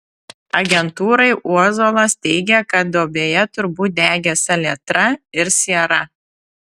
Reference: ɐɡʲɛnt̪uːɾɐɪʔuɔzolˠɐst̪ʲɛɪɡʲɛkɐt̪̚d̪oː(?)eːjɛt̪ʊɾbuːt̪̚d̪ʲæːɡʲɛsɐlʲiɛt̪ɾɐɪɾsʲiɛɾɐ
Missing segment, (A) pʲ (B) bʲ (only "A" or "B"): B